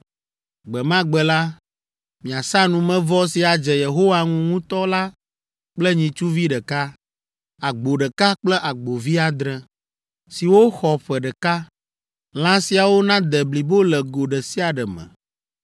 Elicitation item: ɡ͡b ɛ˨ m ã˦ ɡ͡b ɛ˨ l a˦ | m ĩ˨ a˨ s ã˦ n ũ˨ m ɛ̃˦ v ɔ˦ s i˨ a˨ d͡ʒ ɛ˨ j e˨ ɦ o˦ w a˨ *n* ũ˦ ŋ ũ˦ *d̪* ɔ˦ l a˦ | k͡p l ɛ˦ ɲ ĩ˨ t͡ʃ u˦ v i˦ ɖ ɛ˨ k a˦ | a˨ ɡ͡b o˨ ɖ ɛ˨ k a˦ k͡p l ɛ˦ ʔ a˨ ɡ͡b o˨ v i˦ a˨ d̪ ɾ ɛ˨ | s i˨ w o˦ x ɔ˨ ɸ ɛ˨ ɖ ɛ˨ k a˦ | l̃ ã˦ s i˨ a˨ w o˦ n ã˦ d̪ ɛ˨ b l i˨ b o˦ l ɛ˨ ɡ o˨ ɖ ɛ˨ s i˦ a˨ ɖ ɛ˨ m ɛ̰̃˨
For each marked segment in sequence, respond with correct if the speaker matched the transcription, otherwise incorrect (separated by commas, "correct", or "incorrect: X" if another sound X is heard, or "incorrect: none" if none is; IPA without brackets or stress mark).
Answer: incorrect: ŋ, incorrect: t̪